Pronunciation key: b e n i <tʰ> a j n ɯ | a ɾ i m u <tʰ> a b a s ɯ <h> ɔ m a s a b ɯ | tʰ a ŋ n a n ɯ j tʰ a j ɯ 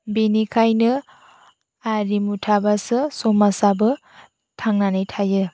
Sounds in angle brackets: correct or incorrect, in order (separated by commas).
incorrect, correct, incorrect